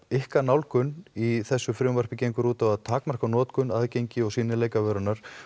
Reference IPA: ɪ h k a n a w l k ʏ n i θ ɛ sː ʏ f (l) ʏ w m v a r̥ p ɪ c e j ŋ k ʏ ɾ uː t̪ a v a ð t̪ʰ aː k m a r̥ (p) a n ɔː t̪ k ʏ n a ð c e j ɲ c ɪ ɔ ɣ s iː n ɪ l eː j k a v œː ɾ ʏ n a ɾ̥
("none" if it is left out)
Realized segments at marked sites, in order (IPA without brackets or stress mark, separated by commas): ɾ, k